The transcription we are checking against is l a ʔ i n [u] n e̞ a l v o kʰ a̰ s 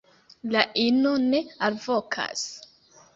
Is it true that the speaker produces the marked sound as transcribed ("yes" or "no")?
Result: no